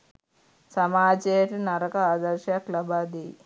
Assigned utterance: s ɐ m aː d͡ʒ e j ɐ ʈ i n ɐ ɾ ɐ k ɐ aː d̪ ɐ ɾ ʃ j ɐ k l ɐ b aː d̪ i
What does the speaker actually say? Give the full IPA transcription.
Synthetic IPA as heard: s ɐ m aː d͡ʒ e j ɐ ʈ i n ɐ ɾ ɐ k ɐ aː d̪ ɐ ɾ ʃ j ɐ k l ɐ b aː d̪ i